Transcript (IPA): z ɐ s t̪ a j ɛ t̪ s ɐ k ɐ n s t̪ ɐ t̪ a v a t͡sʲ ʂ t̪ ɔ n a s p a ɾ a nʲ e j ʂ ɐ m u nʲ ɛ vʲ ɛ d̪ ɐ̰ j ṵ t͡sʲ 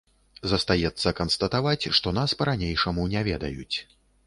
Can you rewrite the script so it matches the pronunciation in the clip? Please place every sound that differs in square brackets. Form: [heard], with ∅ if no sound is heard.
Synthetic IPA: z ɐ s t̪ a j ɛ t̪ [sː] ɐ k ɐ n s t̪ ɐ t̪ a v a t͡sʲ ʂ t̪ ɔ n a s p [ɐ] ɾ a nʲ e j ʂ ɐ m u nʲ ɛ vʲ ɛ d̪ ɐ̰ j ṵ t͡sʲ